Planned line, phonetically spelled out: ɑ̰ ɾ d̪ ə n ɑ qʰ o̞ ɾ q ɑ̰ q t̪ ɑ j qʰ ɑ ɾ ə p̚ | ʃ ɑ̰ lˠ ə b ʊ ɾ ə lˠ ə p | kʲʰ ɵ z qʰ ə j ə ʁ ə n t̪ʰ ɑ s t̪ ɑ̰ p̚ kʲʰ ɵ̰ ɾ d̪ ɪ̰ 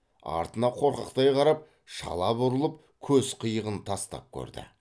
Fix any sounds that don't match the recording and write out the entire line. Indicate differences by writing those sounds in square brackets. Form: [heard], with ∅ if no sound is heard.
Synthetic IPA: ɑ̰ ɾ [t̪] ə n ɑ qʰ o̞ ɾ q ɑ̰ q t̪ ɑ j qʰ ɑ ɾ [ɑ] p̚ | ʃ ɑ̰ lˠ [ɑ] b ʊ ɾ ə lˠ ə p | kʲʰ ɵ z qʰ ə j ə ʁ ə n t̪ʰ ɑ s t̪ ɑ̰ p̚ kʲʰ ɵ̰ ɾ d̪ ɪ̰